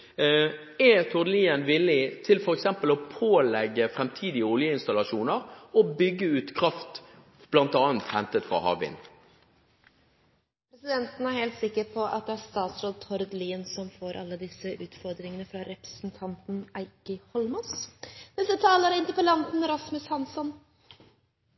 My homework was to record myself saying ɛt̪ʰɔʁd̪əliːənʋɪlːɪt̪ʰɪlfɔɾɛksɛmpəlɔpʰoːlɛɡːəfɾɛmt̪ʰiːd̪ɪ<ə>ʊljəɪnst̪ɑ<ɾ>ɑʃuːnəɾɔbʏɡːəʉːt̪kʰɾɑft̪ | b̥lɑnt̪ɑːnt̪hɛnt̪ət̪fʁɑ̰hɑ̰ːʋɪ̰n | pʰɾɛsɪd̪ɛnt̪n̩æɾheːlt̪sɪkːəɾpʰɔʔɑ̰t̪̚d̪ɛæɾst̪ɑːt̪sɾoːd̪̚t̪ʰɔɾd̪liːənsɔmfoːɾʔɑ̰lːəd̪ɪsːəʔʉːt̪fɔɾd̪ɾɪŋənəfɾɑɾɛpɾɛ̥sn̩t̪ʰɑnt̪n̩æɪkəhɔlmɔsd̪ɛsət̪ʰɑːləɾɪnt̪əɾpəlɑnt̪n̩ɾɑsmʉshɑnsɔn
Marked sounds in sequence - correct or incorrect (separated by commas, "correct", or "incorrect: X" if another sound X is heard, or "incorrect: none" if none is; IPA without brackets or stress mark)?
correct, incorrect: l